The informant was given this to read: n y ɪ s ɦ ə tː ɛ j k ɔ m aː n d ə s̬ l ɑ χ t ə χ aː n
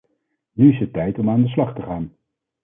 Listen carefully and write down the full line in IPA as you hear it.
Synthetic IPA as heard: n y ɪ s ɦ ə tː ɛ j t ɔ m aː n d ə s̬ l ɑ χ t ə χ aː n